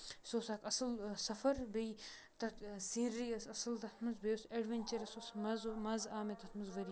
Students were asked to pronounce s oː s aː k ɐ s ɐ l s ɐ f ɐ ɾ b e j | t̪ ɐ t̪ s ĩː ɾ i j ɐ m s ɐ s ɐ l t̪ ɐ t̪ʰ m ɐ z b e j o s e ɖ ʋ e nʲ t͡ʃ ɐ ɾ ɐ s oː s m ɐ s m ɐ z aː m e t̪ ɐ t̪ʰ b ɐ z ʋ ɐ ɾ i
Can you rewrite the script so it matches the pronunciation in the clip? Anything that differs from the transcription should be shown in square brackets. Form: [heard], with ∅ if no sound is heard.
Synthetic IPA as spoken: s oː s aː k ɐ s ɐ l s ɐ f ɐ ɾ b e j | t̪ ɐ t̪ s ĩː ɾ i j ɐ [∅] s ɐ s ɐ l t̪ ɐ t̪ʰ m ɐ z b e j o s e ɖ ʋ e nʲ t͡ʃ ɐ ɾ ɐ s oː s m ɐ [z] m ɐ z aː m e t̪ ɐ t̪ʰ [m] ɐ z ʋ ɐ ɾ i